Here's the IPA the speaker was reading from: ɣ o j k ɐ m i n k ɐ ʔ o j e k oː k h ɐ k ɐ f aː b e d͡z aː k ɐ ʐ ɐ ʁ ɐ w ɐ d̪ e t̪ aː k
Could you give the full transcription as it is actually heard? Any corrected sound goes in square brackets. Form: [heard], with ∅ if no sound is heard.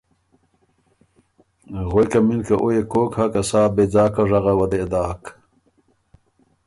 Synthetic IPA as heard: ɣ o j k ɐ m i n k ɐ ʔ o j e k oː k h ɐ k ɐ [s] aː b e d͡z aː k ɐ ʐ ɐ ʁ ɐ w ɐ d̪ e [d̪] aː k

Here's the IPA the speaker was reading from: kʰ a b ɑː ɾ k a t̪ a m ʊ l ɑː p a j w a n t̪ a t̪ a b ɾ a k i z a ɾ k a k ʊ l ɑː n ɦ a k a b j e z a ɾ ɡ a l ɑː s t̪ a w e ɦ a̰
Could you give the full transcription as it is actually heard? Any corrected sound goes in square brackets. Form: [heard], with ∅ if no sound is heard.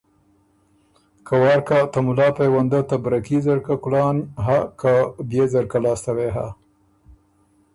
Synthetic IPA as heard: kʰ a [w] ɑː ɾ k a t̪ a m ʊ l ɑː p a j w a n [d̪] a t̪ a b ɾ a k i z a ɾ k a k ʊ l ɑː n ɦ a k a b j e z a ɾ [k] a l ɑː s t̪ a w e ɦ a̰

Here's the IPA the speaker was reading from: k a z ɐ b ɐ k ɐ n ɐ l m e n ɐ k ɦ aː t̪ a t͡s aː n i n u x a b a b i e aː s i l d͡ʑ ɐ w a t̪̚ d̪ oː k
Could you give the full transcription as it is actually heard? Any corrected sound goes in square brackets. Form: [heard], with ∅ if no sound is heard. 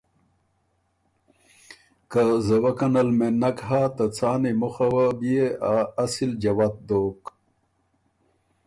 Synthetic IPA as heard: k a z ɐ [w] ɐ k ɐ n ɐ l m e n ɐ k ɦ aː t̪ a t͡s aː n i [m] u x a [w] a b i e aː s i l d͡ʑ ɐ w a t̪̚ d̪ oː k

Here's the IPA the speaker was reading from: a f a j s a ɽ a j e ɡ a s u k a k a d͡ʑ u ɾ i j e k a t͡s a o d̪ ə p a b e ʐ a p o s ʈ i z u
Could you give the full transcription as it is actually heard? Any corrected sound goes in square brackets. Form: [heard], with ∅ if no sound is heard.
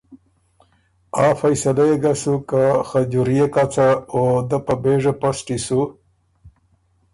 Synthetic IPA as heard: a f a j s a [l] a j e ɡ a s u k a [x] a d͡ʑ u ɾ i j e k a t͡s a o d̪ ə p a b e ʐ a p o s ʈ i [s] u

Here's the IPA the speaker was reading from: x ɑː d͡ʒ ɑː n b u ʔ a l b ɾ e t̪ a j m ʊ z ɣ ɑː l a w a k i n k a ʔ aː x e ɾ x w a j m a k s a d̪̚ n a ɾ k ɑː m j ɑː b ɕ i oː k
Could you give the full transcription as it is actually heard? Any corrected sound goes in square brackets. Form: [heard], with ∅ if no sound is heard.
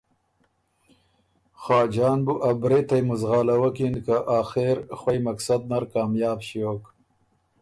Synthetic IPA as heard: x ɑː d͡ʒ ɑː n b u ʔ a [∅] b ɾ e t̪ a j m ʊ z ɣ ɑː l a w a k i n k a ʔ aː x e ɾ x w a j m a k s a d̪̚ n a ɾ k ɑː m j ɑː b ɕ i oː k

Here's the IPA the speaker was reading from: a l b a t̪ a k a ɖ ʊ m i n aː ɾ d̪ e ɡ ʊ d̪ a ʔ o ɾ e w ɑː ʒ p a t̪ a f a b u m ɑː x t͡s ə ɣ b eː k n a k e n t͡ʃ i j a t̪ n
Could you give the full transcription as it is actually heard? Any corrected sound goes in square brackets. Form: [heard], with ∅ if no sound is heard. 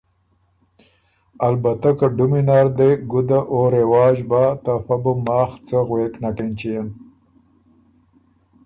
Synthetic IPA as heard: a l b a t̪ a k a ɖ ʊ m i n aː ɾ d̪ e ɡ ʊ d̪ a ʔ o ɾ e w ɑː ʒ [b] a t̪ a f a b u m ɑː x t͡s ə ɣ [w] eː k n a k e n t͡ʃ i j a [∅] n

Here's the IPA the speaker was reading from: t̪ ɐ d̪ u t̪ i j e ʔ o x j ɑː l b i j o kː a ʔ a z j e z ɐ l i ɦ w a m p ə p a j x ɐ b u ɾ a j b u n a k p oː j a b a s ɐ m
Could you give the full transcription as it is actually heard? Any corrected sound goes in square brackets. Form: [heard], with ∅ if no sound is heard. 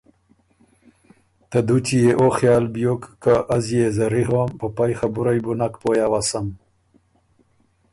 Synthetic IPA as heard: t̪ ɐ d̪ u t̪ i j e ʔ o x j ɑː l b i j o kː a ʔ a z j e z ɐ [ɾ] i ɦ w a m p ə p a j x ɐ b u ɾ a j b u n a k p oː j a [w] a s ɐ m

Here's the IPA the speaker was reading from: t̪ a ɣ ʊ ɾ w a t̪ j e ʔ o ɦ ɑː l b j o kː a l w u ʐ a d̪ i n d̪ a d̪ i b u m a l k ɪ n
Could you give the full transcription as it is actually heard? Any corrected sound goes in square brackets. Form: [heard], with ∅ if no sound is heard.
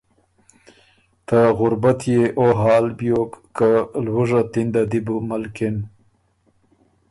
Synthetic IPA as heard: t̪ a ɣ ʊ ɾ [b] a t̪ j e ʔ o ɦ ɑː l b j o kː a l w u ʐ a [t̪] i n d̪ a d̪ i b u m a l k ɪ n

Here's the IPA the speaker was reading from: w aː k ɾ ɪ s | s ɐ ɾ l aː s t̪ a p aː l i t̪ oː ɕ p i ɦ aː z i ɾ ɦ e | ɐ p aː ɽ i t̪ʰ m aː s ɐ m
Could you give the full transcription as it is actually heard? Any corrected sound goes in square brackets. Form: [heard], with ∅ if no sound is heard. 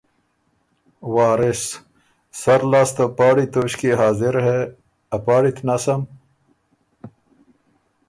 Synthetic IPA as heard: w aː [∅] ɾ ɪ s | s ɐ ɾ l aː s t̪ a p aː [ɽ] i t̪ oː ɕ [k] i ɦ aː z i ɾ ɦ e | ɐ p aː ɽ i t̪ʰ [n] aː s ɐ m

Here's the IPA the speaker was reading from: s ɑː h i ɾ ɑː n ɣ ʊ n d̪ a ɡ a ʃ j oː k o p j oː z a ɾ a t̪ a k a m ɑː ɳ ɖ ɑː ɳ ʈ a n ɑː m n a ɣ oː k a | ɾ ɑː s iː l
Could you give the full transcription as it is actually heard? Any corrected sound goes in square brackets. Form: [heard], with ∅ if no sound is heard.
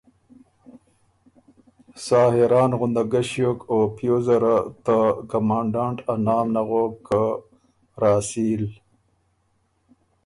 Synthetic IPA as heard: s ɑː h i ɾ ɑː n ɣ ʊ n d̪ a ɡ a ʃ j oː k o p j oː z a ɾ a t̪ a k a m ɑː ɳ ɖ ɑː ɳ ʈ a n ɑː m n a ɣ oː k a | ɾ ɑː s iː l

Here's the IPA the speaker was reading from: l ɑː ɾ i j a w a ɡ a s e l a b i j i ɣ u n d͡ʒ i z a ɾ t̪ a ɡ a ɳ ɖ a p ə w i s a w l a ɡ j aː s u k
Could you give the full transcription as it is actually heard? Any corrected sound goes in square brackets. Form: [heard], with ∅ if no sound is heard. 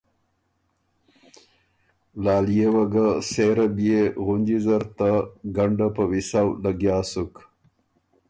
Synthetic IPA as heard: l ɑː [l] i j [e] w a ɡ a s e [ɾ] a b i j [e] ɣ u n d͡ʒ i z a ɾ t̪ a ɡ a ɳ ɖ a p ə w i s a w l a ɡ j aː s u k

